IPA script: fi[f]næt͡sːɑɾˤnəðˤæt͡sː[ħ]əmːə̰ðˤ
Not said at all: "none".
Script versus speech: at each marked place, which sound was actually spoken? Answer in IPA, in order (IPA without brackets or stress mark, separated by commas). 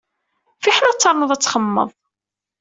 ħ, χ